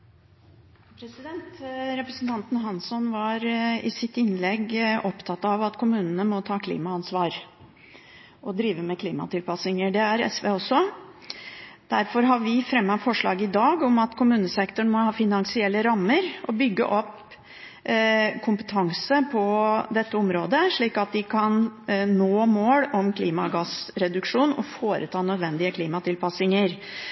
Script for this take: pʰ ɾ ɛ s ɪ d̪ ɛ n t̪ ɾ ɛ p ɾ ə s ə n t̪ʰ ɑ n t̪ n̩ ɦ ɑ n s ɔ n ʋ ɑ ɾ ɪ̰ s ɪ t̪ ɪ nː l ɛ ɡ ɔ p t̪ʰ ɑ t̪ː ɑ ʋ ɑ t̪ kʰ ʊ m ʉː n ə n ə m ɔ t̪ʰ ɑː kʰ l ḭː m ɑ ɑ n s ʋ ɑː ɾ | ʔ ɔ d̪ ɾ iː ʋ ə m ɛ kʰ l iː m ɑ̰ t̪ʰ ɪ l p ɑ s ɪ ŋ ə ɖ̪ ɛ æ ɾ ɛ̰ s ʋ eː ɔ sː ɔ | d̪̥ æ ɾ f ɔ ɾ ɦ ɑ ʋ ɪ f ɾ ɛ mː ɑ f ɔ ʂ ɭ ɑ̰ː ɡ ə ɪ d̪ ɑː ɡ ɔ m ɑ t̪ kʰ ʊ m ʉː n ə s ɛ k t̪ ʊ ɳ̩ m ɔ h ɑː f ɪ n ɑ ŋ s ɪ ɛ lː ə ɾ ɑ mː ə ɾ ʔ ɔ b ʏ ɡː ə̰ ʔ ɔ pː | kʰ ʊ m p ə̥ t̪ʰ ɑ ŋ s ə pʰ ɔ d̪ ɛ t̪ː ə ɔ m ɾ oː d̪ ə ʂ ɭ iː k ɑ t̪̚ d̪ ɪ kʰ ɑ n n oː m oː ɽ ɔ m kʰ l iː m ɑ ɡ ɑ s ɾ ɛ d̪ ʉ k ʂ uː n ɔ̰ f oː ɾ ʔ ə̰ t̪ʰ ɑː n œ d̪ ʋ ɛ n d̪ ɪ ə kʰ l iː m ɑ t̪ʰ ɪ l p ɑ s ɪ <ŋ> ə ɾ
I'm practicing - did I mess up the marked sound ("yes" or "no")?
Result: no